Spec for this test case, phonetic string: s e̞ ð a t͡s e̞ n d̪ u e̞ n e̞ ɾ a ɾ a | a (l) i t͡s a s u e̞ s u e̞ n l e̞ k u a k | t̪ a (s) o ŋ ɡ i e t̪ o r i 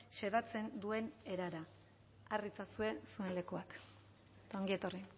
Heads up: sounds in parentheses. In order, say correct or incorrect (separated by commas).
incorrect, incorrect